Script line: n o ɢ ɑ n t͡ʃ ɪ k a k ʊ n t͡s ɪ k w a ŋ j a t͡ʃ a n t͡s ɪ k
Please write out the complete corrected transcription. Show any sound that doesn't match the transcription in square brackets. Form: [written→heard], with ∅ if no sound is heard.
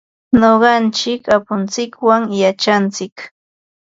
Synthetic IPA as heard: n o ɢ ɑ n t͡ʃ ɪ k a [k→p] ʊ n t͡s ɪ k w a ŋ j a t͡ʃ a n t͡s ɪ k

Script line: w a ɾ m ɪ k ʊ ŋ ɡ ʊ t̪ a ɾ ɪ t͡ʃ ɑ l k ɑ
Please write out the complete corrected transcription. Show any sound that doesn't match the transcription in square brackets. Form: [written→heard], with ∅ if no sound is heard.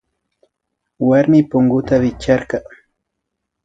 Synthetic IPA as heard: w a ɾ m ɪ [k→p] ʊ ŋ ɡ ʊ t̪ a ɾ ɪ t͡ʃ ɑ [l→ɾ] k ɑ

